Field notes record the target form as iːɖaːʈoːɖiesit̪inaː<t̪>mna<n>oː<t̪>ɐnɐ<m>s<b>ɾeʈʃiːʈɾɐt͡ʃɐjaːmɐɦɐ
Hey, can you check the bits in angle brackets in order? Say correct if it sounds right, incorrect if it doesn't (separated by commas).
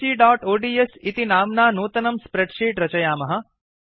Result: incorrect, correct, correct, correct, incorrect